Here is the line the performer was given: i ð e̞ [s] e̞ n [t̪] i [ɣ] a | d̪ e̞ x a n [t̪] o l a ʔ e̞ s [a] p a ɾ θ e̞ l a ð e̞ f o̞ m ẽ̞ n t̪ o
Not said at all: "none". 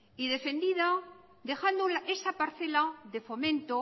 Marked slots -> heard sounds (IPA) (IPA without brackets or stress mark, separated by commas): f, d̪, ð, d̪, a